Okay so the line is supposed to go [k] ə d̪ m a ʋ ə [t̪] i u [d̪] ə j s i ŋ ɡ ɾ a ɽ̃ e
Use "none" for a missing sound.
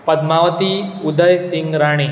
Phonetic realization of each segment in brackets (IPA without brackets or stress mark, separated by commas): p, t̪, d̪